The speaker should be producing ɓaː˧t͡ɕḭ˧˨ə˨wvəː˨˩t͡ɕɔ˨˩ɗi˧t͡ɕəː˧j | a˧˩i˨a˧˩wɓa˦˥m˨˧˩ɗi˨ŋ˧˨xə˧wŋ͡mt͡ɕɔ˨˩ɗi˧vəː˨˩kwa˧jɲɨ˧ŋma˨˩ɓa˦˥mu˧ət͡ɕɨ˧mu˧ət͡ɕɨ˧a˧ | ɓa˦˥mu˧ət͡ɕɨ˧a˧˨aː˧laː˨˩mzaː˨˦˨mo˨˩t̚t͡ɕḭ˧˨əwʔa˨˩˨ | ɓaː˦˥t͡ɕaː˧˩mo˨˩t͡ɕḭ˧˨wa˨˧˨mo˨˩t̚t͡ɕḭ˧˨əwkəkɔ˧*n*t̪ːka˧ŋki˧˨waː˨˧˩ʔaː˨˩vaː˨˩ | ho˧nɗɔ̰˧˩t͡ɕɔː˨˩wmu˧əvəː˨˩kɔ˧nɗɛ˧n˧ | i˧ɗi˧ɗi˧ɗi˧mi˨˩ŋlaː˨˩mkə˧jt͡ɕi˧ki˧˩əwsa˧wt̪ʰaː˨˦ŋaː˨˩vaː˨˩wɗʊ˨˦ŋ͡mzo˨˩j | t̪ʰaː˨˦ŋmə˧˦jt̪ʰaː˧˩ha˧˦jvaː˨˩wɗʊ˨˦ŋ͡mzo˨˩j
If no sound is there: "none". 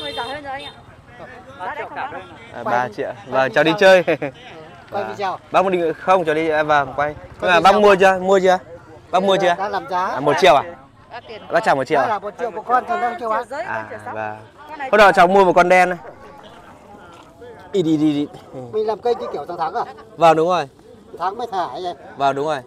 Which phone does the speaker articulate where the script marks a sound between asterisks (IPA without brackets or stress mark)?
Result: n